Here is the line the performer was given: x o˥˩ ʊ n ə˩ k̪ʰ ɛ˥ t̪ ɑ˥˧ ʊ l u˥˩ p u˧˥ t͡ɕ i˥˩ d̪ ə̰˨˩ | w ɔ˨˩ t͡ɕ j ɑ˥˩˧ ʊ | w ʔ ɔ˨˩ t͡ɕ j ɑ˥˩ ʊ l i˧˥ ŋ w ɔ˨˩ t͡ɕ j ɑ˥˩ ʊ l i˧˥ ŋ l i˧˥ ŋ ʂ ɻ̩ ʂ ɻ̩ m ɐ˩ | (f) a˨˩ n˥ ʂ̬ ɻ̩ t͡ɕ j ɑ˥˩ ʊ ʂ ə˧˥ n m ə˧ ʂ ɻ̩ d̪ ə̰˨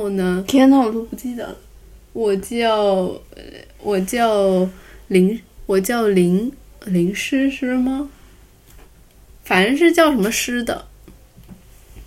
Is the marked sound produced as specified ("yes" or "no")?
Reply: yes